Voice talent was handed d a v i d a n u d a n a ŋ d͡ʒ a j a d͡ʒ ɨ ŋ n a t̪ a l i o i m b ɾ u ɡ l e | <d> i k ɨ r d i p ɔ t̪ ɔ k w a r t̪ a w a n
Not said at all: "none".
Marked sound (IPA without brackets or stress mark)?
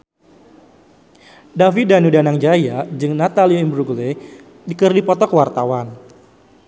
d